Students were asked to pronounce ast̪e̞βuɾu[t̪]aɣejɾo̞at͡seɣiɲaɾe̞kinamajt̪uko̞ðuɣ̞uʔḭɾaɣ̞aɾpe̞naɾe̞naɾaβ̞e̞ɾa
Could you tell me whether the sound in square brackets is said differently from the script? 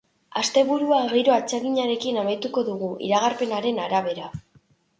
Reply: yes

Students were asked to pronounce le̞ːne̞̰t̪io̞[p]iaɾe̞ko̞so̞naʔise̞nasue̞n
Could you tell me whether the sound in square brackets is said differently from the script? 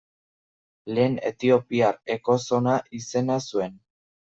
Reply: no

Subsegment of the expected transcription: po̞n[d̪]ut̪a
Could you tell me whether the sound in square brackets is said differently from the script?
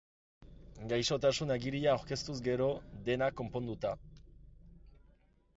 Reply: no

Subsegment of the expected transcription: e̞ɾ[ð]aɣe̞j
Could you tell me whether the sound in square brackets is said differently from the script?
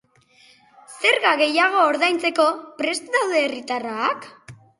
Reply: yes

